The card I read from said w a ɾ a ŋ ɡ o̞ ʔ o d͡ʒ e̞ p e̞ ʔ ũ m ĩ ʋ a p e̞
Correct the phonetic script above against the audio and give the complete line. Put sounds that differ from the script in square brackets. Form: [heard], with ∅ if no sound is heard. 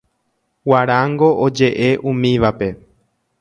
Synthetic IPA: w a ɾ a ŋ ɡ o̞ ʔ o d͡ʒ e̞ [ʔ] e̞ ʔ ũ m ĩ ʋ a p e̞